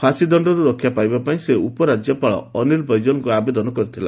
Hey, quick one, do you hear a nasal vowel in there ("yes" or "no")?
yes